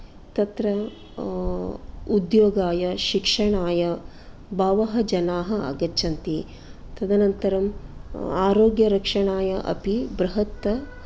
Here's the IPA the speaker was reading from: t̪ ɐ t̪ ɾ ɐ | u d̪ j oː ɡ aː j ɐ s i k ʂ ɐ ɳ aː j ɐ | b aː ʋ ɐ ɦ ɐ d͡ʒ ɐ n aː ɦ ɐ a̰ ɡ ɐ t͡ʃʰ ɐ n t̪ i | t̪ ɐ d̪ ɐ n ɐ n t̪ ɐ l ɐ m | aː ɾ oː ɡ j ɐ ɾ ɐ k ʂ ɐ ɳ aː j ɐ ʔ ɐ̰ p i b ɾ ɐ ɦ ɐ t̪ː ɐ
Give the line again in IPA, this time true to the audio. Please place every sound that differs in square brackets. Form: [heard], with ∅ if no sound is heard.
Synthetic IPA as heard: t̪ ɐ t̪ ɾ ɐ | u d̪ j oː ɡ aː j ɐ [ʃ] i k ʂ ɐ ɳ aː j ɐ | b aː ʋ ɐ ɦ ɐ d͡ʒ ɐ n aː ɦ ɐ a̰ ɡ ɐ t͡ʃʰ ɐ n t̪ i | t̪ ɐ d̪ ɐ n ɐ n t̪ ɐ [ɾ] ɐ m | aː ɾ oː ɡ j ɐ ɾ ɐ k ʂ ɐ ɳ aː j ɐ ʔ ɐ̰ p i b ɾ ɐ ɦ ɐ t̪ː ɐ

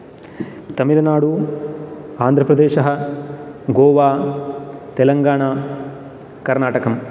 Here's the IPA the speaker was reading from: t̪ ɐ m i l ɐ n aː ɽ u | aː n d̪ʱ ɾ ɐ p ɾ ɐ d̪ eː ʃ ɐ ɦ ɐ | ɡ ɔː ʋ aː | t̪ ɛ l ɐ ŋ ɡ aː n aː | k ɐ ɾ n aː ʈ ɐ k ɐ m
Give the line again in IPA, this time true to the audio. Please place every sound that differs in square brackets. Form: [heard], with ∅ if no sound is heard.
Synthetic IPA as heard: t̪ ɐ m i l ɐ n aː ɽ u | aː n d̪ʱ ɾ ɐ p ɾ ɐ d̪ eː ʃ ɐ ɦ ɐ | ɡ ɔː ʋ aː | t̪ ɛ l ɐ ŋ ɡ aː [ɳ] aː | k ɐ ɾ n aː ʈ ɐ k ɐ m

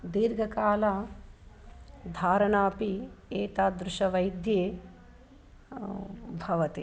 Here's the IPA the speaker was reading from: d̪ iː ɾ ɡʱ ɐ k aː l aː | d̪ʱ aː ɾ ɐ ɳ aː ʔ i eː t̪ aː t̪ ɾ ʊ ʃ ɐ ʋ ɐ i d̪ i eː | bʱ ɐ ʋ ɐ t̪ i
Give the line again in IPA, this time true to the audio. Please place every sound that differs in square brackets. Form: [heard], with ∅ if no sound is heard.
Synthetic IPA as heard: d̪ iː ɾ ɡʱ ɐ k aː l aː | d̪ʱ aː ɾ ɐ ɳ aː [p] i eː t̪ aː [d̪] ɾ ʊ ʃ ɐ ʋ ɐ [j] d̪ [j] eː | bʱ ɐ ʋ ɐ t̪ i

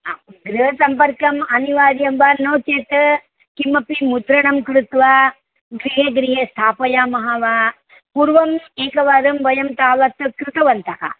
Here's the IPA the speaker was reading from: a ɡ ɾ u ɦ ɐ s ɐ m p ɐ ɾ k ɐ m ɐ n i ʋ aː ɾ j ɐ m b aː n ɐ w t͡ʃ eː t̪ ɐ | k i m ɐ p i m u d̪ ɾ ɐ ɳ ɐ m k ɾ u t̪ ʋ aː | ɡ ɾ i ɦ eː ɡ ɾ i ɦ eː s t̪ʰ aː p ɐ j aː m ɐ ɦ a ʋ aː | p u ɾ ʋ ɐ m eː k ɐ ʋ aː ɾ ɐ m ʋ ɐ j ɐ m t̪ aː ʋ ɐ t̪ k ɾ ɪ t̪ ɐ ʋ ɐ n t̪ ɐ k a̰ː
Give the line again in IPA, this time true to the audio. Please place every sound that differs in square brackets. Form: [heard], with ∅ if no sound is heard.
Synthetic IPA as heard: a ɡ ɾ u ɦ ɐ s ɐ m p ɐ ɾ k ɐ m ɐ n i ʋ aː ɾ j ɐ m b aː n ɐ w t͡ʃ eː t̪ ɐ | k i m ɐ p i m u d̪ ɾ ɐ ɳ ɐ m k ɾ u t̪ ʋ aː | ɡ ɾ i ɦ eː ɡ ɾ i ɦ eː s t̪ʰ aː p ɐ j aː m ɐ ɦ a ʋ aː | p u ɾ ʋ ɐ m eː k ɐ ʋ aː ɾ ɐ m ʋ ɐ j ɐ m t̪ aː ʋ ɐ t̪ k ɾ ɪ t̪ ɐ ʋ ɐ n t̪ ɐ k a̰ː

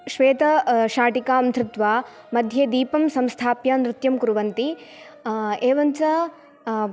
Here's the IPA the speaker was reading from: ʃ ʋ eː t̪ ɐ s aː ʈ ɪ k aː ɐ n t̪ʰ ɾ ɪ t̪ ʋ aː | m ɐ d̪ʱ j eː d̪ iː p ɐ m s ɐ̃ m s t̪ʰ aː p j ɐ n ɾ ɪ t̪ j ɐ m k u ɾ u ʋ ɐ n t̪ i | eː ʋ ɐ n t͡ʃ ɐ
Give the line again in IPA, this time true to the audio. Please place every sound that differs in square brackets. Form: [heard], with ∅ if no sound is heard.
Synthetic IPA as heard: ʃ ʋ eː t̪ ɐ [ʃ] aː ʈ [i] k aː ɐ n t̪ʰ ɾ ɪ t̪ ʋ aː | m ɐ d̪ʱ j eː d̪ iː p ɐ m s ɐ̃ m s t̪ʰ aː p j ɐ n ɾ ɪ t̪ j ɐ m k u ɾ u ʋ ɐ n t̪ i | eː ʋ ɐ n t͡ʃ ɐ

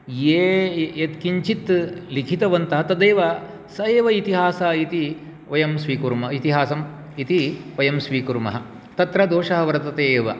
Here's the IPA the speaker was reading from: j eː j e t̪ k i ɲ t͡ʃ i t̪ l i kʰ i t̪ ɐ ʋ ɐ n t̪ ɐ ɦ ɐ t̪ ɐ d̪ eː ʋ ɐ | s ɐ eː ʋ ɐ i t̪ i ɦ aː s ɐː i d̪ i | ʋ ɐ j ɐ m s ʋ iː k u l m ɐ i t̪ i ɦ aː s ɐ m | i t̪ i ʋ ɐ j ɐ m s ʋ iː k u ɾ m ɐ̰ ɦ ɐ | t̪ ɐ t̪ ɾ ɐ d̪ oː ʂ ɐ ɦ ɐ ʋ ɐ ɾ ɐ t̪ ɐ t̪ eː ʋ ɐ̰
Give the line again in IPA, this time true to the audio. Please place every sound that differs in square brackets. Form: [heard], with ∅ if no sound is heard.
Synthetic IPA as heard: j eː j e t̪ k i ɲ t͡ʃ i t̪ l i kʰ i t̪ ɐ ʋ ɐ n t̪ ɐ ɦ ɐ t̪ ɐ d̪ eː ʋ ɐ | s ɐ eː ʋ ɐ i t̪ i ɦ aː s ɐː i [t̪] i | ʋ ɐ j ɐ m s ʋ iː k u [ɾ] m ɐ i t̪ i ɦ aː s ɐ m | i t̪ i ʋ ɐ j ɐ m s ʋ iː k u ɾ m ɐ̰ ɦ ɐ | t̪ ɐ t̪ ɾ ɐ d̪ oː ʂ ɐ ɦ ɐ ʋ ɐ ɾ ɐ t̪ ɐ t̪ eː ʋ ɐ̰

